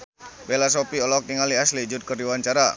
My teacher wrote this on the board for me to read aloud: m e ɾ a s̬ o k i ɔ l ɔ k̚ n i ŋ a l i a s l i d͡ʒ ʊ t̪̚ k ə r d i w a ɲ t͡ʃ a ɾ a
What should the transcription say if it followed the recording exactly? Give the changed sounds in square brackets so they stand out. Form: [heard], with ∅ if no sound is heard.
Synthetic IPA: [b] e [l] a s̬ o [p] i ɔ l ɔ k̚ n i ŋ a l i a s l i d͡ʒ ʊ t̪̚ k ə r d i w a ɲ t͡ʃ a ɾ a